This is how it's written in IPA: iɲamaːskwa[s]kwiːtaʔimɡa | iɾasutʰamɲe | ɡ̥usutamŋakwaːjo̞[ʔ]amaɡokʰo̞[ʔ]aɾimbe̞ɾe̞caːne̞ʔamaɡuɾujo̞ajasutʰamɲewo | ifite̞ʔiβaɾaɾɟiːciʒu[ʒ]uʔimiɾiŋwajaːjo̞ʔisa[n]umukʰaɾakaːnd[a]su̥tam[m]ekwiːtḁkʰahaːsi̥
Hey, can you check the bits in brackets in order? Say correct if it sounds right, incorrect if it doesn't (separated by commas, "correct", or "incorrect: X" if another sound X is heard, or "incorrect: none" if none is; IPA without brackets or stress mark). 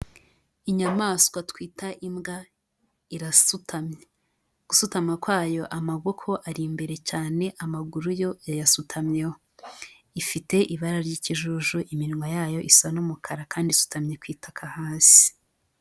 incorrect: t, correct, correct, correct, correct, incorrect: i, incorrect: ɲ